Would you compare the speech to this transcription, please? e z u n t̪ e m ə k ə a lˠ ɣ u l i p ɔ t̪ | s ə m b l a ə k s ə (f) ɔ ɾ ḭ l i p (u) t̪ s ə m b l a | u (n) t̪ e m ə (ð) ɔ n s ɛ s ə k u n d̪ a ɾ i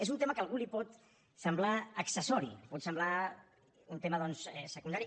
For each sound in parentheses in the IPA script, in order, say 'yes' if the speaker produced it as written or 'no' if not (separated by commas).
no, no, yes, yes